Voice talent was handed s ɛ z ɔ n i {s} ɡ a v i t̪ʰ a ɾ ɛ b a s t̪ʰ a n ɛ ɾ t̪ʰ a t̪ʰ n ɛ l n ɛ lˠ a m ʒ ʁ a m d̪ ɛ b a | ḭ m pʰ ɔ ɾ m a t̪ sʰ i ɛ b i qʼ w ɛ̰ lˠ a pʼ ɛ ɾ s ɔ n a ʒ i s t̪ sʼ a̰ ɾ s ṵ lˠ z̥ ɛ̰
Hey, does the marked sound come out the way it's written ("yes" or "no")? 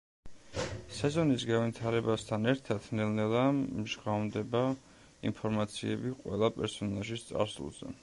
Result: yes